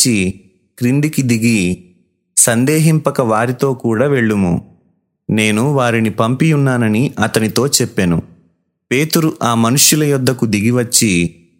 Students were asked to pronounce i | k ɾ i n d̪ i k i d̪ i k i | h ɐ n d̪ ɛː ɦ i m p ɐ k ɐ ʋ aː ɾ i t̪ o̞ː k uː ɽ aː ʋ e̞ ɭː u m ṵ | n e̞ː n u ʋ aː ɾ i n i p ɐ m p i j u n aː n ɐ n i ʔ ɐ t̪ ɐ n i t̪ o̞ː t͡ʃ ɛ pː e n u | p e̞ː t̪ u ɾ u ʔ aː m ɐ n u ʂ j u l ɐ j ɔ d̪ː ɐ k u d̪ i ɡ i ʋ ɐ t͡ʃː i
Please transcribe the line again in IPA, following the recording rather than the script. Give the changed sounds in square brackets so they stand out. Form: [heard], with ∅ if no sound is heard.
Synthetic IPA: i | k ɾ i n d̪ i k i d̪ i [ɡ] i | [s] ɐ n d̪ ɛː ɦ i m p ɐ k ɐ ʋ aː ɾ i t̪ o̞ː k uː ɽ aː ʋ e̞ ɭː u m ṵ | n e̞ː n u ʋ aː ɾ i n i p ɐ m p i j u [nː] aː n ɐ n i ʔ ɐ t̪ ɐ n i t̪ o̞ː t͡ʃ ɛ pː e n u | p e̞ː t̪ u ɾ u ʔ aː m ɐ n u ʂ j u l ɐ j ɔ d̪ː ɐ k u d̪ i ɡ i ʋ ɐ t͡ʃː i